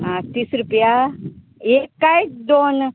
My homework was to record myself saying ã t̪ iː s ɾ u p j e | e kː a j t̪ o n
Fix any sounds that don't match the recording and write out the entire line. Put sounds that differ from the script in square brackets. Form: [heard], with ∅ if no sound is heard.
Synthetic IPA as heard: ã t̪ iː s ɾ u p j [a] | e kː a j [d̪] o n